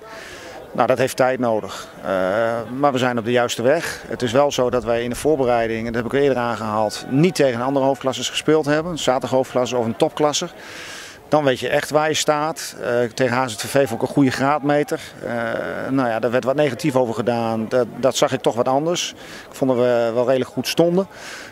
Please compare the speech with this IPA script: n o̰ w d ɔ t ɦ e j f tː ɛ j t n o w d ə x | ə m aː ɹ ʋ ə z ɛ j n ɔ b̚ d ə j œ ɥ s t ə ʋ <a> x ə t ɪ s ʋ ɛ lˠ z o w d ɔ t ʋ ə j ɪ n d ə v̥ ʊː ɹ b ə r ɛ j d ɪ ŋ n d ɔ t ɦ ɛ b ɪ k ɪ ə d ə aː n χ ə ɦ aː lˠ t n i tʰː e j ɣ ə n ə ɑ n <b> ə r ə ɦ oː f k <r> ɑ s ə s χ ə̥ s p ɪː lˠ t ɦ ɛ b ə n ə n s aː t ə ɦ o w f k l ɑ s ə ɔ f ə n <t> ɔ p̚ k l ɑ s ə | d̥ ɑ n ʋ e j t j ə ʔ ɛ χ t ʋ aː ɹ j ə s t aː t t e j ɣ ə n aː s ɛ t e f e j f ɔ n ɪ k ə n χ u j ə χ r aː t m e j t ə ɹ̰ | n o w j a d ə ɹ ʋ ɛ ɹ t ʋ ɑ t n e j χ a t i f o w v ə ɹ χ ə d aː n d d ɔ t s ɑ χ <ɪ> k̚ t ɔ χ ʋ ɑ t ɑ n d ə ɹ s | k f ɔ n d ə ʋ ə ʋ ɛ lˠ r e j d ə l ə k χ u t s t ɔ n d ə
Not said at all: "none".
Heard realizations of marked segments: ɛ, d, l, t, ɪ

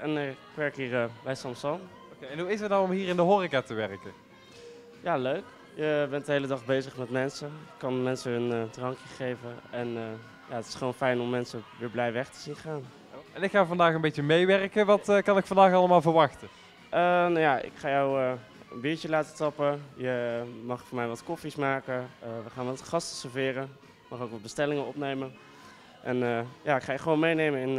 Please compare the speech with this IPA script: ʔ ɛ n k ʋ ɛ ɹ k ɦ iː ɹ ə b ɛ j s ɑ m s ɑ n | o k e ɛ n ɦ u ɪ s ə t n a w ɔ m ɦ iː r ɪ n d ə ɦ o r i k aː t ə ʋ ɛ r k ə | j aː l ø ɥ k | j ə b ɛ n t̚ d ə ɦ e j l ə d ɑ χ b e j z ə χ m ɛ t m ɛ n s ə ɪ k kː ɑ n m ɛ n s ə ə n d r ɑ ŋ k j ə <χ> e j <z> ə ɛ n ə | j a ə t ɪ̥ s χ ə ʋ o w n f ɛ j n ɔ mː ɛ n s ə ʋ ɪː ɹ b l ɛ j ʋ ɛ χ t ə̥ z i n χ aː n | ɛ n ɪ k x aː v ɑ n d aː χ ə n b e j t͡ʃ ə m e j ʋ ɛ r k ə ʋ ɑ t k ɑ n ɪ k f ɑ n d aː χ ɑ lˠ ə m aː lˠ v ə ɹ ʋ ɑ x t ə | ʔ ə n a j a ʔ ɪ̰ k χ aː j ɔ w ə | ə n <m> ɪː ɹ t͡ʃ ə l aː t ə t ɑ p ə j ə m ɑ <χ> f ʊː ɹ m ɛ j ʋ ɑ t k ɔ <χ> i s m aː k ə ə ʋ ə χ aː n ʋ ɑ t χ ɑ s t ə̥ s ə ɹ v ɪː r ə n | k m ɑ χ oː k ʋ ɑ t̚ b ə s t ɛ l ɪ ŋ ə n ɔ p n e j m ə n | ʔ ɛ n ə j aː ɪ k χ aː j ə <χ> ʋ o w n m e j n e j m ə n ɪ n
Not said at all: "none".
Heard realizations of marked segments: χ, v, b, χ, f, χ

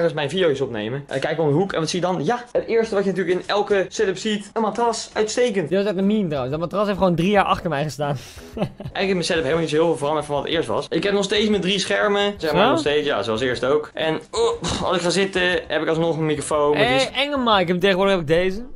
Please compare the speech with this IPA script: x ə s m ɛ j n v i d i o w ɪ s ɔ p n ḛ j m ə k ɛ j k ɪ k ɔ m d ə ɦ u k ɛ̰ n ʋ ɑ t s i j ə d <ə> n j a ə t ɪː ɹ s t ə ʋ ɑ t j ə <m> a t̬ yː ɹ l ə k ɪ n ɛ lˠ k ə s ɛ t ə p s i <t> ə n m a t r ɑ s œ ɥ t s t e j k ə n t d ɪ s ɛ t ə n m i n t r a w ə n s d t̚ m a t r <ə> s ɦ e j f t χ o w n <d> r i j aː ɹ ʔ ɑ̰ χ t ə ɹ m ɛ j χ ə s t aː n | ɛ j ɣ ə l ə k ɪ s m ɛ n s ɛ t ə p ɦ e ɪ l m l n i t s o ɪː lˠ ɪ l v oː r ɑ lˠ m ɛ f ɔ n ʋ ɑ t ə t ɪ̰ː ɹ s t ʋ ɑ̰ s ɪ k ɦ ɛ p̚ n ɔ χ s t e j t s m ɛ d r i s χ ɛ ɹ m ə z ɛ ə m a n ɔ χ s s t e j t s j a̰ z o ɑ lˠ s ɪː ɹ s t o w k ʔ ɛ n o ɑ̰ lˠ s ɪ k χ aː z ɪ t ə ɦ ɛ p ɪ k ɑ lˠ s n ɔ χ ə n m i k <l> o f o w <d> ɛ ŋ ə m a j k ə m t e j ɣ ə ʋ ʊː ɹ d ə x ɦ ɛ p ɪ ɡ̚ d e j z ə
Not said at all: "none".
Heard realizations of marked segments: ɑ, n, t, ɑ, d, r, n

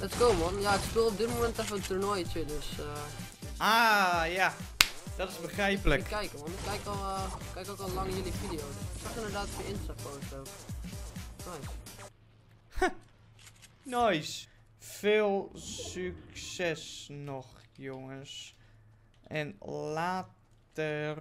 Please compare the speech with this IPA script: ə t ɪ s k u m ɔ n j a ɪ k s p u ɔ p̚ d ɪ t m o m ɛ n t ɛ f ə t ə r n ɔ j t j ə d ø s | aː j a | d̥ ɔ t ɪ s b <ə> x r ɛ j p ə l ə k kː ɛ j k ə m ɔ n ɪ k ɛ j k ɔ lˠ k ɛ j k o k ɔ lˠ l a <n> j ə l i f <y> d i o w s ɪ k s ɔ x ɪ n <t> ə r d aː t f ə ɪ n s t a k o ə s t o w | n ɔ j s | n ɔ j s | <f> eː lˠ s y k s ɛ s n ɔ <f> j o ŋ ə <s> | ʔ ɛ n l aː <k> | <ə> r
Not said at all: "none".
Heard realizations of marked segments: ə, ŋ, i, d, f, x, s, t, ə

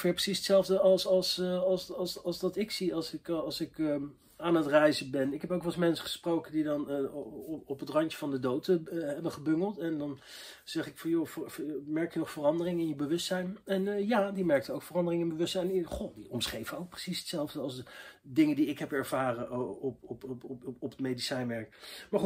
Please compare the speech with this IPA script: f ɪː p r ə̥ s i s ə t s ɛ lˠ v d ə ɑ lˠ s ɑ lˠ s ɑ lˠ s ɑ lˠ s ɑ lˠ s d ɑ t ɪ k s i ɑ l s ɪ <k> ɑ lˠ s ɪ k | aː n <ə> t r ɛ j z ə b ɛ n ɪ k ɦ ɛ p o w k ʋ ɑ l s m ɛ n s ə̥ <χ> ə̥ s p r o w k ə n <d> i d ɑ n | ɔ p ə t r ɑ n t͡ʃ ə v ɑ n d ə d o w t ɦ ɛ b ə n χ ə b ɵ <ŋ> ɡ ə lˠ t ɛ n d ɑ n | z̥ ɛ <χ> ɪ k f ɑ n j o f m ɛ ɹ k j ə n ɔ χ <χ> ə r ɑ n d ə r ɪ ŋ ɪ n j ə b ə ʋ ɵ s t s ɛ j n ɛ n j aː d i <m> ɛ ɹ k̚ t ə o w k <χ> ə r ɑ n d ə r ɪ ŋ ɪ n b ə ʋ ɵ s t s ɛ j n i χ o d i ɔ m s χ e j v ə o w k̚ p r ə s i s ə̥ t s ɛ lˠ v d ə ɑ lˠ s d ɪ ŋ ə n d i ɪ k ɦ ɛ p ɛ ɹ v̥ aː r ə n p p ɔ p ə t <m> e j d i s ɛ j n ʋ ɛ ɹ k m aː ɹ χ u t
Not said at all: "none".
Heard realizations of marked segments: k, ə, χ, d, ŋ, χ, f, m, f, m

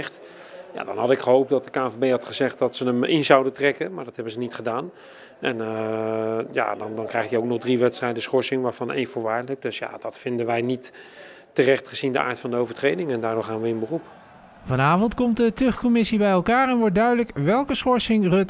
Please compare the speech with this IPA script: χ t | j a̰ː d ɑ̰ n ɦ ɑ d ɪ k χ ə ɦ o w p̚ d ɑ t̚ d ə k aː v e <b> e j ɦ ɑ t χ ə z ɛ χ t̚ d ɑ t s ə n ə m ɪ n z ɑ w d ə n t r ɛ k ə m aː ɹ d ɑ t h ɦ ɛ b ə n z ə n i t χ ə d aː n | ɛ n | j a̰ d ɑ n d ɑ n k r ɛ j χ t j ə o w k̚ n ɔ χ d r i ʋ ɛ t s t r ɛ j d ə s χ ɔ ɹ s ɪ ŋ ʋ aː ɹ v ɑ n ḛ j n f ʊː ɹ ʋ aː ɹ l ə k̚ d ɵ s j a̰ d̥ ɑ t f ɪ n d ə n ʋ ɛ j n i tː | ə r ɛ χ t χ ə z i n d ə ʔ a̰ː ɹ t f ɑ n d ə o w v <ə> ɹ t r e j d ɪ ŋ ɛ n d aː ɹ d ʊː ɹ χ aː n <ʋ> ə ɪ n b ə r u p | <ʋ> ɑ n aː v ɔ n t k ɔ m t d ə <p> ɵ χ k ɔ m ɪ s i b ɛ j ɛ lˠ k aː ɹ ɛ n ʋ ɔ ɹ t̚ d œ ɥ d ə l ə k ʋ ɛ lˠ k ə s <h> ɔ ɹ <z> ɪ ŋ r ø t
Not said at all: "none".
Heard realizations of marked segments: b, ə, ʋ, v, t, χ, s

